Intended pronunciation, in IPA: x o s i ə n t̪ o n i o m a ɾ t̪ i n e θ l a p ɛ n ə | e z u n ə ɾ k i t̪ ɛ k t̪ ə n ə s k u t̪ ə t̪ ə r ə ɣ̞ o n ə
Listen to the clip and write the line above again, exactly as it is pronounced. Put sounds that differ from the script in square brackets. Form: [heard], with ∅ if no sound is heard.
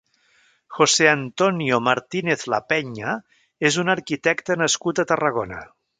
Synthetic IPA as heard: x o s [e] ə n t̪ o n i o m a ɾ t̪ i n e θ l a p ɛ [ɲ] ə | e z u n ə ɾ k i t̪ ɛ k t̪ ə n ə s k u t̪ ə t̪ ə r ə ɣ̞ o n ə